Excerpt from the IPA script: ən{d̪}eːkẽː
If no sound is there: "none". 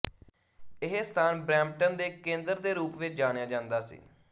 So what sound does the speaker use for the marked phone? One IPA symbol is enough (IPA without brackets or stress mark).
d̪